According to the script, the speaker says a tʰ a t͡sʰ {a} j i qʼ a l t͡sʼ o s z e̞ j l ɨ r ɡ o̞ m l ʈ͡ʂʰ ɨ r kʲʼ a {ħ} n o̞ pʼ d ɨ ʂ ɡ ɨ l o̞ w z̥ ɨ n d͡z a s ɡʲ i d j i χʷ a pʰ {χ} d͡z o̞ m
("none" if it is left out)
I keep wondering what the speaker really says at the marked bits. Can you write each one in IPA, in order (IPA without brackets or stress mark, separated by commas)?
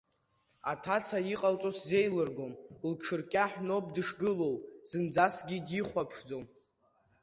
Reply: a, ħ, ʂ